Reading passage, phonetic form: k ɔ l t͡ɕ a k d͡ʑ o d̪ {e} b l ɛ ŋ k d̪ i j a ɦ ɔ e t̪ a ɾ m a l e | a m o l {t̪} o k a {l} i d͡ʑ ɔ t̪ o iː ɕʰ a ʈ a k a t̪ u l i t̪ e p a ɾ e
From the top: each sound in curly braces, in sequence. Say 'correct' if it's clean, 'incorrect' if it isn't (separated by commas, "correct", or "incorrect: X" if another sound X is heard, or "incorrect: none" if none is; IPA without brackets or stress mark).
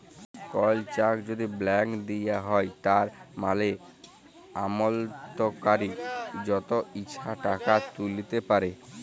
incorrect: i, correct, incorrect: ɾ